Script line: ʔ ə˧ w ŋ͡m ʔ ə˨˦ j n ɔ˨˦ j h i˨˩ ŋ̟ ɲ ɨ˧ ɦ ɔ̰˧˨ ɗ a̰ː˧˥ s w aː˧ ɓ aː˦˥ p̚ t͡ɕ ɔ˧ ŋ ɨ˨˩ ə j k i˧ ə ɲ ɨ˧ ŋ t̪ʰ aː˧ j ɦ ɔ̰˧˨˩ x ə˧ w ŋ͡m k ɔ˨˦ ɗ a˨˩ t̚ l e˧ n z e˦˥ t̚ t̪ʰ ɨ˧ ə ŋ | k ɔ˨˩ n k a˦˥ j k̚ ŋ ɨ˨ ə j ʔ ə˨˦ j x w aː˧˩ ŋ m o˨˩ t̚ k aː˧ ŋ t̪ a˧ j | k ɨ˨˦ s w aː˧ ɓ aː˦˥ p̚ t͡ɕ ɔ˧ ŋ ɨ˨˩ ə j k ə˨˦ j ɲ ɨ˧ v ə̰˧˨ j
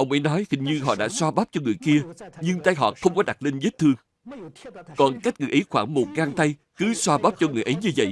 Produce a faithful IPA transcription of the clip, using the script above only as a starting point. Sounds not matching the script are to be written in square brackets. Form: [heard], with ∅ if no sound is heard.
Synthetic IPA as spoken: ʔ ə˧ w ŋ͡m ʔ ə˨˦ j n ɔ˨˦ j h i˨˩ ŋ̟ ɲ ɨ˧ ɦ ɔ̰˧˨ ɗ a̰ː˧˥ s w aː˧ ɓ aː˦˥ p̚ t͡ɕ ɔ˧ ŋ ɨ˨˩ ə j k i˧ ə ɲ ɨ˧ ŋ [t̪] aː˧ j ɦ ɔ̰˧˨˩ x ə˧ w ŋ͡m k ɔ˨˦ ɗ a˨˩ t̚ l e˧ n z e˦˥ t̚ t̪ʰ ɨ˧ ə ŋ | k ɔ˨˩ n k a˦˥ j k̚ ŋ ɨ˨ ə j ʔ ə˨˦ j x w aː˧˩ ŋ m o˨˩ t̚ k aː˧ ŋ t̪ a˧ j | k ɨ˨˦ s w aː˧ ɓ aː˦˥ p̚ t͡ɕ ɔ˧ ŋ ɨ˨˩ ə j [ʔ] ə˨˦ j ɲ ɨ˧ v ə̰˧˨ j